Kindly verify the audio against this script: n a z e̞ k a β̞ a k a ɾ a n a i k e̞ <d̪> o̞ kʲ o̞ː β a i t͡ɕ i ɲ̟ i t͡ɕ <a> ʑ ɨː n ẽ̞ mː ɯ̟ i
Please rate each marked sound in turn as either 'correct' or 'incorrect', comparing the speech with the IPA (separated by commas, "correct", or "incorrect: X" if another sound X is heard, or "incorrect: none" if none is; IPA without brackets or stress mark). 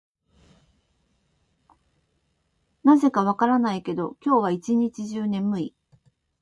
correct, incorrect: i